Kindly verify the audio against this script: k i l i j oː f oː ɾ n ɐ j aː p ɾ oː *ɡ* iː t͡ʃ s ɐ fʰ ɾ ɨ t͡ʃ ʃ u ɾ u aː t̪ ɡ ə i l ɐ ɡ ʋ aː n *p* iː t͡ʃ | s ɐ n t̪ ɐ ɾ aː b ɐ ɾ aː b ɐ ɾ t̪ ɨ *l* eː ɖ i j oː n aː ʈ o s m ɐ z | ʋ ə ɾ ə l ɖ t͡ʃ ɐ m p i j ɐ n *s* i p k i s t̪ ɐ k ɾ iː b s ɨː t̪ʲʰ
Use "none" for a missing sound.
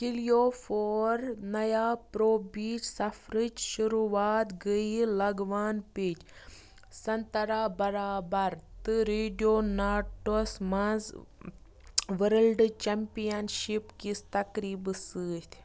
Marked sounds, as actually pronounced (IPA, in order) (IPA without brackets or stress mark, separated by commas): b, p, ɾ, ʃ